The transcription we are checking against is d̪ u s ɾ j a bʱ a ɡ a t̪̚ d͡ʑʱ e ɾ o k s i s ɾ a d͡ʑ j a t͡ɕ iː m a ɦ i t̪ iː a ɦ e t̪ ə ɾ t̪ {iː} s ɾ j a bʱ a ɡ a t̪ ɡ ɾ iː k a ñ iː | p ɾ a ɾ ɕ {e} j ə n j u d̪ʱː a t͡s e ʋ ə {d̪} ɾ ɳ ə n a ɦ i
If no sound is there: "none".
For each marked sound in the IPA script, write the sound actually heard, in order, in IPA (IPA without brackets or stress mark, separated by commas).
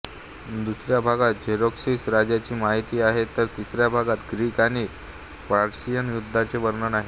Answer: i, i, none